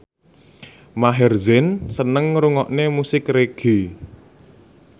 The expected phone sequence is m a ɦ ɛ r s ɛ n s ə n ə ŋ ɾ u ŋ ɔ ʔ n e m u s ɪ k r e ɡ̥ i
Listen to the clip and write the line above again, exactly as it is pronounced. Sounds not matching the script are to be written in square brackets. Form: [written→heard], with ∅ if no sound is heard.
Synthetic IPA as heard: m a ɦ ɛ r [s→z] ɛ n s ə n ə ŋ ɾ u ŋ ɔ ʔ n e m u s ɪ k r e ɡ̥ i